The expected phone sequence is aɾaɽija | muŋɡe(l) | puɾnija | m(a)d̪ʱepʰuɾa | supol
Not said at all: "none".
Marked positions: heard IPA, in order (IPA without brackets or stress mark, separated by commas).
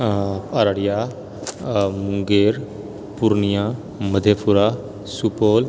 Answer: ɾ, ə